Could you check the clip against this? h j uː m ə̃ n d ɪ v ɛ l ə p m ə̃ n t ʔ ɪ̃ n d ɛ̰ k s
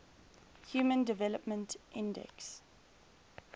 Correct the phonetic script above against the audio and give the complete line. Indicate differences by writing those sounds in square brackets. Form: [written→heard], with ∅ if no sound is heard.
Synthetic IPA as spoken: h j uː m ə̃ n d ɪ v ɛ l ə p m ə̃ n t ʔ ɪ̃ n d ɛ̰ k s